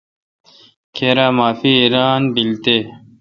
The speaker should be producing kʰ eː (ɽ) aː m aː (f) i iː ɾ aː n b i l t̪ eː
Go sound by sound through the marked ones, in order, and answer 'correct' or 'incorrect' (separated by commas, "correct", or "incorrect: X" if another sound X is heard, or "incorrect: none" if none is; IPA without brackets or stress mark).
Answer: incorrect: ɾ, correct